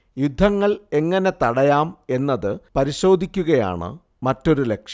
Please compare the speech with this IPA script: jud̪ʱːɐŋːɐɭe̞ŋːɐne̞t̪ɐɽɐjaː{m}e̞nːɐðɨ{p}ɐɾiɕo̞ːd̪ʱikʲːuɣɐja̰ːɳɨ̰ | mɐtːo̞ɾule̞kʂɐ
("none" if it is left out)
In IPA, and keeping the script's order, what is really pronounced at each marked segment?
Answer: m, p

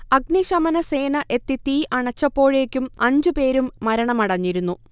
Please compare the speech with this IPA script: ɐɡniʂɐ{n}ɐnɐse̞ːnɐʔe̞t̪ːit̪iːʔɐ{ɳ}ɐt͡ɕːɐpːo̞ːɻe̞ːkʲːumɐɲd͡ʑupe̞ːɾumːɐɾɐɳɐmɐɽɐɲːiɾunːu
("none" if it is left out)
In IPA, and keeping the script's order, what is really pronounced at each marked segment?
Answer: m, ɳ

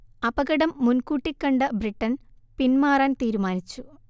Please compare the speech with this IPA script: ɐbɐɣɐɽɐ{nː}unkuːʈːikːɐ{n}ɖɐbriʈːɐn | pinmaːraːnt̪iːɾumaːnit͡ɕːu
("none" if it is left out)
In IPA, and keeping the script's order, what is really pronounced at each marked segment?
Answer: mː, ɳ

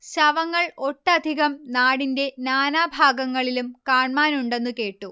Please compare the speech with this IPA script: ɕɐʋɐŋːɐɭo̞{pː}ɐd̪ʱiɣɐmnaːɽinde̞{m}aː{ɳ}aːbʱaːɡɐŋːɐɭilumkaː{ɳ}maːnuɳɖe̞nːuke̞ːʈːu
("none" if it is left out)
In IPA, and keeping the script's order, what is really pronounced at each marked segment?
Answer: ʈː, n, n, ɳ

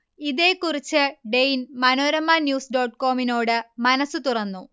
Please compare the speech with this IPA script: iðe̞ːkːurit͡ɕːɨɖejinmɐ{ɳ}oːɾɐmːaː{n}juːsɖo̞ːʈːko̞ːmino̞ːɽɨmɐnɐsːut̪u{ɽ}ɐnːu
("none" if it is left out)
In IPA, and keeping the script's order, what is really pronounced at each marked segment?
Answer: n, n, r

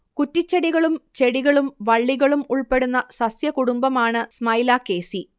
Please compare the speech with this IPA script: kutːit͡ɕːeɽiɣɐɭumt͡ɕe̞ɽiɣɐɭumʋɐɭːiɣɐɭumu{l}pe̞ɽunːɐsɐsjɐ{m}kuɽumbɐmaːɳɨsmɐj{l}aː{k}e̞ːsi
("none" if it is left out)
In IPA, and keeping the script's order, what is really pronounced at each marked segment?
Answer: ɭ, none, l, k

